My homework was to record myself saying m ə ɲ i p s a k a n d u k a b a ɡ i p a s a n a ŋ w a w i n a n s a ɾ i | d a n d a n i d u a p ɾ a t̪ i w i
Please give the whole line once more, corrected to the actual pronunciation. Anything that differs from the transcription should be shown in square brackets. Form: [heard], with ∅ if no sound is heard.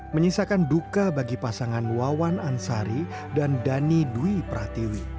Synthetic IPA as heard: m ə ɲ i [∅] s a k a n d u k a b a ɡ i p a s a [ŋ] a [n] w a w [a] n a n s a ɾ i | d a n d a n i d u [i] p ɾ a t̪ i w i